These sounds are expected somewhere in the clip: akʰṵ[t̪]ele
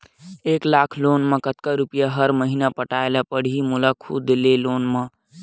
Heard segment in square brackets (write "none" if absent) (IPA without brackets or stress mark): d̪